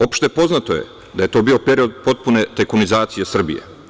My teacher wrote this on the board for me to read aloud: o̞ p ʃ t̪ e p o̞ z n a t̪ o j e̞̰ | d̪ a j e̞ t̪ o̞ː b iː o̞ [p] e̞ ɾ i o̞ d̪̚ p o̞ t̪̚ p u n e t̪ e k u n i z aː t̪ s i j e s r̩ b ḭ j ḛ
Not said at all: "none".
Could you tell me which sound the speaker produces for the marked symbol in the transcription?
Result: p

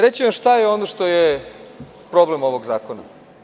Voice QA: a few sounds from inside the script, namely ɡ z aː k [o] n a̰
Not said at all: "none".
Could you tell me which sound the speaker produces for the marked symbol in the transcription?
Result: o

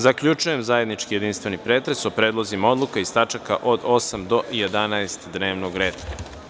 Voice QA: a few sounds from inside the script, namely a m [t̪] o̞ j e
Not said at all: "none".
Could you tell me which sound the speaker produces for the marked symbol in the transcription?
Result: d̪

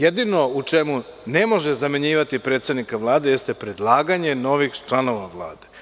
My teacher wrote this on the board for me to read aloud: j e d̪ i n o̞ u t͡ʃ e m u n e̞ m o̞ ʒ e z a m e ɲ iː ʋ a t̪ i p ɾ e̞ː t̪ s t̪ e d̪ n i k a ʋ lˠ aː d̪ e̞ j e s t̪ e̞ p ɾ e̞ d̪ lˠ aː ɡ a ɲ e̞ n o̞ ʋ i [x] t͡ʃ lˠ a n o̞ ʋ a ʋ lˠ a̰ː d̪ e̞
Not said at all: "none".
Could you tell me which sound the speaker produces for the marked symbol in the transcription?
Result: x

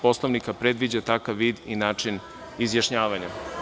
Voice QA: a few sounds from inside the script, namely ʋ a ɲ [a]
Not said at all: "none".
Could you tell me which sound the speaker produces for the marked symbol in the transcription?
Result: a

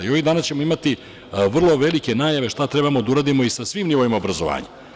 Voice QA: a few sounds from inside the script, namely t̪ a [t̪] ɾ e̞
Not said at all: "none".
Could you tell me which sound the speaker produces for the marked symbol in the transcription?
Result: t̪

